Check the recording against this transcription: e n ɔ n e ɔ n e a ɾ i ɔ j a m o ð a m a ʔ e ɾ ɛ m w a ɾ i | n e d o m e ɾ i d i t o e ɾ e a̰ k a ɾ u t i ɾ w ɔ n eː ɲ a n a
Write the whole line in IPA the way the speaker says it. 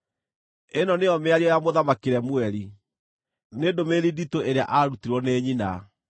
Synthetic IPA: e n ɔ n e ɔ m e a ɾ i ɔ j a m o ð a m a k e ɾ ɛ m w ɛ ɾ i | n e d o m e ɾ i d i t o e ɾ e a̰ ʔ a ɾ u t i ɾ w ɔ n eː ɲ i n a

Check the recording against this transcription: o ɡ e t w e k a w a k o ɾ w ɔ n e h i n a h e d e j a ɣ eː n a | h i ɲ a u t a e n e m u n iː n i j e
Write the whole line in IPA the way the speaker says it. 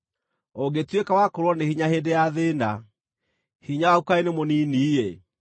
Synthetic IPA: o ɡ e t w e k a w a k o ɾ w ɔ n e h i ɲ a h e d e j a ð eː n a | h i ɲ a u k a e n e m o n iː n i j e

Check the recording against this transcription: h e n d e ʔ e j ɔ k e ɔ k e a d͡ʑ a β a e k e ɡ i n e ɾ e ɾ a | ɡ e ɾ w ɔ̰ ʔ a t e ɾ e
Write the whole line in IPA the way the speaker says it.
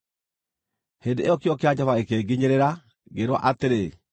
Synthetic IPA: h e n d e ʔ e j ɔ k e ɔ k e a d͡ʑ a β a e k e ɡ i ɲ e ɾ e ɾ a | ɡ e ɾ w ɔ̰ ʔ a t e ɾ e

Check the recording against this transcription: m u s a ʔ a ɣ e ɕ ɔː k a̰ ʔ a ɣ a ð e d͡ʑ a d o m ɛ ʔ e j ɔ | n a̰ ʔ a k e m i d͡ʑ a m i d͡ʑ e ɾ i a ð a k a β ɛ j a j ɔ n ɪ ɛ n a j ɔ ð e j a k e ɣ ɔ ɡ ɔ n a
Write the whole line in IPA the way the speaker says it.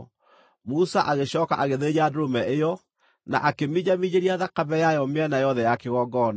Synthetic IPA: m u s a ʔ a ɣ e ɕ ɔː k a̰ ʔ a ɣ e ð e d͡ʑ a d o m ɛ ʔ e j ɔ | n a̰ ʔ a k e m i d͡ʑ a m i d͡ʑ e ɾ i a ð a k a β ɛ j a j ɔ m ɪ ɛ n a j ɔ ð ɛ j a k e ɣ ɔ ɡ ɔ n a

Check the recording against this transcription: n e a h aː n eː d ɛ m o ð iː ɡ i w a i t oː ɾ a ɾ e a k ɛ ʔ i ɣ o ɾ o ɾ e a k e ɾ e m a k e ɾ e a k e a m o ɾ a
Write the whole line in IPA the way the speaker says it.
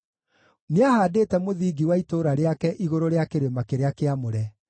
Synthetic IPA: n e a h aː d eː t ɛ m o ð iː ɡ i w a i t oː ɾ a ɾ e a k ɛ ʔ i ɣ o ɾ o ɾ e a k e ɾ e m a k e ɾ e a k e a m o ɾ ɛ

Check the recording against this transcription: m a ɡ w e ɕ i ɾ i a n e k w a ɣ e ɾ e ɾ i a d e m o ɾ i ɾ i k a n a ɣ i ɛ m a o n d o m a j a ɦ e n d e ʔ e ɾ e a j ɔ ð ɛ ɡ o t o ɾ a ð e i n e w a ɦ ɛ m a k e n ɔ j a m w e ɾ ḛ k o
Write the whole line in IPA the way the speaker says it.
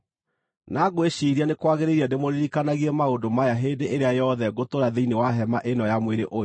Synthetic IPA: n a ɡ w e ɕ i ɾ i a n e k w a ɣ e ɾ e ɾ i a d e m o ɾ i ɾ i k a n a ɣ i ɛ m a o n d o m a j a ɦ e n d e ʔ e ɾ e a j ɔ ð ɛ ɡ o t o ɾ a ð e i n e w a ɦ ɛ m a ʔ e n ɔ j a m w e ɾ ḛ ʔ o

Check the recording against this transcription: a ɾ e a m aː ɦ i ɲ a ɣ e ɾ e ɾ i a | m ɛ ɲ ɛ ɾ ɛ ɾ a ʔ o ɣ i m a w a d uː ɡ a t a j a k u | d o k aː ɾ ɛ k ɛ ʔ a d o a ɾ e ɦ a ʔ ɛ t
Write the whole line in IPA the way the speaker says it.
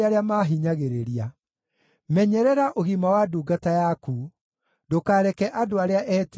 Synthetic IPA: a ɾ e a m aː ɦ i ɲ a ɣ e ɾ e ɾ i a | m ɛ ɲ ɛ ɾ ɛ ɾ a ʔ o ɣ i m a w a d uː ɡ a t a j a k u | d o k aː ɾ ɛ k ɛ ʔ a d o a ɾ e a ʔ ɛ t

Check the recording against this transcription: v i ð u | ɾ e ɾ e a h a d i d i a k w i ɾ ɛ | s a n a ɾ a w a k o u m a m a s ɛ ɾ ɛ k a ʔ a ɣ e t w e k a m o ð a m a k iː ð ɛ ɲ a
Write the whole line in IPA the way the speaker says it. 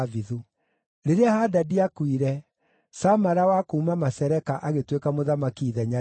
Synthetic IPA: v i ð u | ɾ e ɾ e a h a d a d i a k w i ɾ ɛ | s a m a ɾ a w a k o u m a m a s ɛ ɾ ɛ k a ʔ a ɣ e t w e k a m o ð a m a k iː ð ɛ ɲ a

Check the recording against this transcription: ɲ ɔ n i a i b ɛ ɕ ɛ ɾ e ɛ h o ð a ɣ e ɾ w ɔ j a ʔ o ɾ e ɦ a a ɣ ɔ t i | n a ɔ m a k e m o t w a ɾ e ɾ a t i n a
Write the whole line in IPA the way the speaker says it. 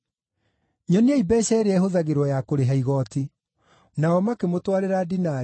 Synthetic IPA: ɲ ɔ n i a i b ɛ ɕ ɛ ɾ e ɛ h o ð a ɣ e ɾ w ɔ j a k o ɾ e ɦ a i ɣ ɔ t i | n a ɔ m a k e m o t w a ɾ e ɾ a d i n a

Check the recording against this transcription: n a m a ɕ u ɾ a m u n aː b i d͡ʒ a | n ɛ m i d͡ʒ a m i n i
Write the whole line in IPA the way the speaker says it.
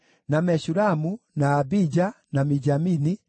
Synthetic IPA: n a m ɛ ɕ u ɾ a m u n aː b i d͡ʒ a | n a m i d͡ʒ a m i n i

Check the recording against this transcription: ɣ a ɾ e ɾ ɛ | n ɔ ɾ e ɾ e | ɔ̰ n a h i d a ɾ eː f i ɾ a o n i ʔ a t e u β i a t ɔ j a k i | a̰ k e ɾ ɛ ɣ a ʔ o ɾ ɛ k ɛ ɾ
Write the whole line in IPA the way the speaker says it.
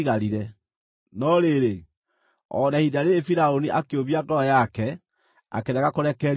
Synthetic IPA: ɣ a ɾ i ɾ ɛ | n ɔ ɾ e ɾ e | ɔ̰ n a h i d a ɾ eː f i ɾ a o n i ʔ a k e o β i a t ɔ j a k ɛ | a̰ k e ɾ ɛ ɣ a k o ɾ ɛ k ɛ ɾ

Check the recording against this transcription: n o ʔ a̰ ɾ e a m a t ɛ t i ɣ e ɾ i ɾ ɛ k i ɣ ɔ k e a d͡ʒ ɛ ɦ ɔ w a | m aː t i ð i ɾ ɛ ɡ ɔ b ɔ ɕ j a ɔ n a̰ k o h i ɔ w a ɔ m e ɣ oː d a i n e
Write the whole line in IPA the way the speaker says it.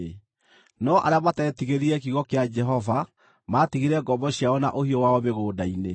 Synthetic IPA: n ɔ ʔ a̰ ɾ e a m a t ɛ t i ɣ e ɾ i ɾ ɛ k i ɣ ɔ k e a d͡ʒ ɛ ɦ ɔ v a | m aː t i ɣ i ɾ ɛ ɡ ɔ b ɔ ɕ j a ɔ n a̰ ʔ o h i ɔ w a ɔ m e ɣ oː d a i n e

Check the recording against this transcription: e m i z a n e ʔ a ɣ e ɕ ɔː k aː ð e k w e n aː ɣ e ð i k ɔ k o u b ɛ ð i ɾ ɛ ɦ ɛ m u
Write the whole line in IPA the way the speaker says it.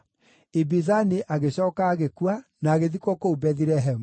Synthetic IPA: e b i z a n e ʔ a ɣ e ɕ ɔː k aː ɣ e k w a n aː ɣ e ð i k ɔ k o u b ɛ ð i ɾ ɛ ɦ ɛ m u

